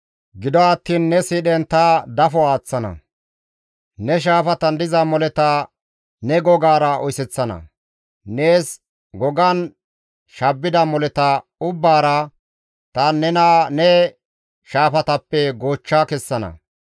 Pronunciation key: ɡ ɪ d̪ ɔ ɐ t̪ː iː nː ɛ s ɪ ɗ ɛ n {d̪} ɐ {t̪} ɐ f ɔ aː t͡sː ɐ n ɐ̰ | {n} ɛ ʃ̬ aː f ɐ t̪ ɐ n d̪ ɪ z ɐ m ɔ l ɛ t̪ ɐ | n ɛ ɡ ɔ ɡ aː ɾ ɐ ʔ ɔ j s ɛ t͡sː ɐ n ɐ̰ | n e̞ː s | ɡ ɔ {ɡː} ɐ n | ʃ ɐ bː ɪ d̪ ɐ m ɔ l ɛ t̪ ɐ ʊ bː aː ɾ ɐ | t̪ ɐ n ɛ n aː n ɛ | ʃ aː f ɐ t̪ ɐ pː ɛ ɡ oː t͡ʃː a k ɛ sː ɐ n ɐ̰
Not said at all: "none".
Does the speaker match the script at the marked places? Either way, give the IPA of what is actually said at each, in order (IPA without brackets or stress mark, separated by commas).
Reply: t̪, d̪, n, ɡ